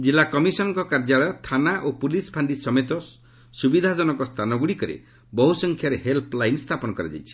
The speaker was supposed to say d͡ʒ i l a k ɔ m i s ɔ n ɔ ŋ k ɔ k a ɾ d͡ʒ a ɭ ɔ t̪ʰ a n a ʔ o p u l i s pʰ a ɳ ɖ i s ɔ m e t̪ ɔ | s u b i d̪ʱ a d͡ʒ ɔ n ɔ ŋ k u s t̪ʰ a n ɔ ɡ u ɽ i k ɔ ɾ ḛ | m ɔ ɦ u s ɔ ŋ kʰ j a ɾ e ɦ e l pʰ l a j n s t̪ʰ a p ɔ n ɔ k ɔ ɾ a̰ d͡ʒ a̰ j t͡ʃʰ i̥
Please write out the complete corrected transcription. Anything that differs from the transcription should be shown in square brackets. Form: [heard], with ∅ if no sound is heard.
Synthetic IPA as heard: d͡ʒ i l a k ɔ m i s ɔ n ɔ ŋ k ɔ k a ɾ d͡ʒ a ɭ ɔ t̪ʰ a n a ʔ o p u l i s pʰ a ɳ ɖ i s ɔ m e t̪ ɔ | s u b i d̪ʱ a d͡ʒ ɔ n ɔ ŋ k [ɔ] s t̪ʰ a n ɔ ɡ u ɽ i k ɔ ɾ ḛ | [b] ɔ ɦ u s ɔ ŋ kʰ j a ɾ e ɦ e l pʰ l a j n s t̪ʰ a p ɔ n ɔ k ɔ ɾ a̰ d͡ʒ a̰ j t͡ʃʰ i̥

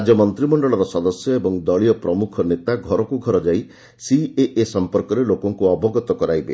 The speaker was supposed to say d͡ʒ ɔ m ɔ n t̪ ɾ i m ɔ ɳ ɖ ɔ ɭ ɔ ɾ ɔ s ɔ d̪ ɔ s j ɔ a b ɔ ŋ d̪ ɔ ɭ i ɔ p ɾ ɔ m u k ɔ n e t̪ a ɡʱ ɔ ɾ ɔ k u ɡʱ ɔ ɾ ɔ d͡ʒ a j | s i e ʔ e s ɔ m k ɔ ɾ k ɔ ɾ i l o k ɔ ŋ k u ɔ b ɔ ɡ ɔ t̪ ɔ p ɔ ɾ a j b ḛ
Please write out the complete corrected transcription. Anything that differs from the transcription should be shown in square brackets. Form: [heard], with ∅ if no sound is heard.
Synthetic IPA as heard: d͡ʒ ɔ m ɔ n t̪ ɾ i m ɔ ɳ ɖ ɔ ɭ ɔ ɾ ɔ s ɔ d̪ ɔ s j ɔ [e] b ɔ ŋ d̪ ɔ ɭ i ɔ p ɾ ɔ m u [kʰ] ɔ n e t̪ a ɡʱ ɔ ɾ ɔ k u ɡʱ ɔ ɾ ɔ d͡ʒ a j | s i e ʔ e s ɔ m [p] ɔ ɾ k ɔ ɾ [e] l o k ɔ ŋ k u ɔ b ɔ ɡ ɔ t̪ ɔ [k] ɔ ɾ a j b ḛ

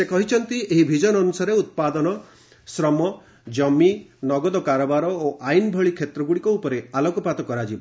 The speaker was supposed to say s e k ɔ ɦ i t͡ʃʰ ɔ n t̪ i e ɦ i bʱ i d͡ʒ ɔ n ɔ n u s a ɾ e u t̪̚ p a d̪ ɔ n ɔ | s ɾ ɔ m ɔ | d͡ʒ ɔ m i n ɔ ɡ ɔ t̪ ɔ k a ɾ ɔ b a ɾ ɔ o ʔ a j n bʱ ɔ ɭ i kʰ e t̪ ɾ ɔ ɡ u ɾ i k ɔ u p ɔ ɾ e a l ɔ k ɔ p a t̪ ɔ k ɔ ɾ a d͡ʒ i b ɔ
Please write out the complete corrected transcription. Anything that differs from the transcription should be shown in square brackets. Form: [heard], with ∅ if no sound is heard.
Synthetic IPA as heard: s e k ɔ ɦ i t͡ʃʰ ɔ n t̪ i e ɦ i bʱ i d͡ʒ ɔ n ɔ n u s a ɾ e u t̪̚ p a d̪ ɔ n ɔ | s ɾ ɔ m ɔ | d͡ʒ ɔ m i n ɔ ɡ ɔ [d̪] ɔ k a ɾ ɔ b a ɾ ɔ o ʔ a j n bʱ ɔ ɭ i kʰ e t̪ ɾ ɔ ɡ u [ɽ] i k ɔ u p ɔ ɾ e a l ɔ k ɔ p a t̪ ɔ k ɔ ɾ a d͡ʒ i b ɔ

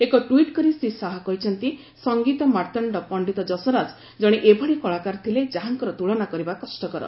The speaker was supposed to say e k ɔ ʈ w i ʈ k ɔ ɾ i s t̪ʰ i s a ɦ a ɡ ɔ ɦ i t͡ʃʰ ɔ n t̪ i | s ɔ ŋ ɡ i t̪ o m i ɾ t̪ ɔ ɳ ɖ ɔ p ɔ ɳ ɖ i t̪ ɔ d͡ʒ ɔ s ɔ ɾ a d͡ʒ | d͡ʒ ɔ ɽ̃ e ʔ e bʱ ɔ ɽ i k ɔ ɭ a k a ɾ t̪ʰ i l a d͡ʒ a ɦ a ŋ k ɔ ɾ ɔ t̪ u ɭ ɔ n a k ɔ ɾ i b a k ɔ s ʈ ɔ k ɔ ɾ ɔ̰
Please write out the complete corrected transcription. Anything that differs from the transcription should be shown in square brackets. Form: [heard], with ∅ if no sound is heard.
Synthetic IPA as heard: e k ɔ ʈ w i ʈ k ɔ ɾ i s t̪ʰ i s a ɦ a [k] ɔ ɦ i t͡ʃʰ ɔ n t̪ i | s ɔ ŋ ɡ i t̪ [ɔ] m [a] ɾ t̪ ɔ ɳ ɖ ɔ p ɔ ɳ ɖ i t̪ ɔ d͡ʒ ɔ s ɔ ɾ a d͡ʒ | d͡ʒ ɔ ɽ̃ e ʔ e bʱ ɔ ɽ i k ɔ ɭ a k a ɾ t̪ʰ i l [e] d͡ʒ a ɦ a ŋ k ɔ ɾ ɔ t̪ u ɭ ɔ n a k ɔ ɾ i b a k ɔ s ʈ ɔ k ɔ ɾ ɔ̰

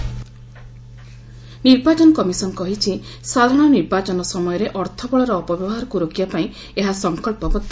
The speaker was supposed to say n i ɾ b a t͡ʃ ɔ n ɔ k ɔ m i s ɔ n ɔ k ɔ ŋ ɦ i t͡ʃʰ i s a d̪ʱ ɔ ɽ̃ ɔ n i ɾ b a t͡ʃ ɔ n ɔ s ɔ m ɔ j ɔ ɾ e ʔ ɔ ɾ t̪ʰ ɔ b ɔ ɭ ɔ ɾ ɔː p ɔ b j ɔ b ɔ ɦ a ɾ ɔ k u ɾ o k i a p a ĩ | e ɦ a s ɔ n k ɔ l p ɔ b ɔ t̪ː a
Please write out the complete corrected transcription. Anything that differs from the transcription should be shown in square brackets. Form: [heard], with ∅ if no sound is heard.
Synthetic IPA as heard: n i ɾ b a t͡ʃ ɔ n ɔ k ɔ m i s ɔ n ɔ k ɔ [∅] ɦ i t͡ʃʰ i s a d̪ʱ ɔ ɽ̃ ɔ n i ɾ b a t͡ʃ ɔ n ɔ s ɔ m ɔ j ɔ ɾ e ʔ ɔ ɾ t̪ʰ ɔ b ɔ ɭ ɔ ɾ ɔː p ɔ b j ɔ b ɔ ɦ a ɾ ɔ k u ɾ o k i a p a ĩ | e ɦ a s ɔ [ŋ] k ɔ l p ɔ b ɔ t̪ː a

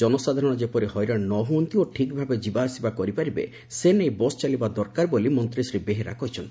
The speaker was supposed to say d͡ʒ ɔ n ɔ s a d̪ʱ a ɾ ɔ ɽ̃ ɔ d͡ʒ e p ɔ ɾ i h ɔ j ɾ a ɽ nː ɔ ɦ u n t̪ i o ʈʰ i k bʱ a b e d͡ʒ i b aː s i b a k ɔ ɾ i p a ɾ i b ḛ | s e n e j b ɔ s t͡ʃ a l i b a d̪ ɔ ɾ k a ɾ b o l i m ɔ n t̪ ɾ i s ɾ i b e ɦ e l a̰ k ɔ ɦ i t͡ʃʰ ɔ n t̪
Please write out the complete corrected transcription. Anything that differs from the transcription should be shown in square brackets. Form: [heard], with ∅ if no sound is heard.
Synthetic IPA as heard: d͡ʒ ɔ n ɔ s a d̪ʱ a ɾ ɔ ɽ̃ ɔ d͡ʒ e p ɔ ɾ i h ɔ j ɾ a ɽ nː ɔ ɦ u n t̪ i o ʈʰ i k bʱ a b e d͡ʒ i b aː s i b a k ɔ ɾ i p a ɾ i b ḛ | s e n e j b ɔ s t͡ʃ a l i b a d̪ ɔ ɾ k a ɾ b o l i m ɔ n t̪ ɾ i s ɾ i b e ɦ e [ɾ] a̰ k ɔ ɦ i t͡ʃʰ ɔ n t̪

